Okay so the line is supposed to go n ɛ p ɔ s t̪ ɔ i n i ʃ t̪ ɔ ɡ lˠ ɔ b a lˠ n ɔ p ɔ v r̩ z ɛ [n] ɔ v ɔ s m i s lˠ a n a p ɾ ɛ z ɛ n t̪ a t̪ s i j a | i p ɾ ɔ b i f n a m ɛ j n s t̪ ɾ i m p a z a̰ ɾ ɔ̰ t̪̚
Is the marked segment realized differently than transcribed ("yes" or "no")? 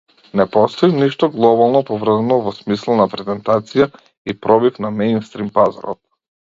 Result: no